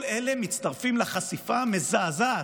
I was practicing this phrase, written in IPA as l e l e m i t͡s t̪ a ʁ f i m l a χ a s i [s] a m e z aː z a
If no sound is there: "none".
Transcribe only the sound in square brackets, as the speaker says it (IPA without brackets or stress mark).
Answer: f